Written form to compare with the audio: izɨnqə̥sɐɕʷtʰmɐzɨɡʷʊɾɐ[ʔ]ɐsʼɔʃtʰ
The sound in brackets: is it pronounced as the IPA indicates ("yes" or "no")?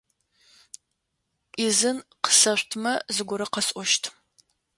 no